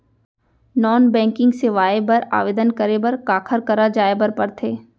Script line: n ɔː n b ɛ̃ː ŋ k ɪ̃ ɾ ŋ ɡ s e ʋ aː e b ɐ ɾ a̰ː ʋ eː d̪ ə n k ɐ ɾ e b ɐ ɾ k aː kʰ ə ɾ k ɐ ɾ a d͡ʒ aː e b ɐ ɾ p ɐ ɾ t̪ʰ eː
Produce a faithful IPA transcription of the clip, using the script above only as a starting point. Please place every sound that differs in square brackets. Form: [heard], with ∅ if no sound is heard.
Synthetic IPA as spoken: n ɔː n b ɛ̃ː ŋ k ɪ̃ [∅] ŋ ɡ s e ʋ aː e b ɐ ɾ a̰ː ʋ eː d̪ ə n k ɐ ɾ e b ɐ ɾ k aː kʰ ə ɾ k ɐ ɾ a d͡ʒ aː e b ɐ ɾ p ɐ ɾ t̪ʰ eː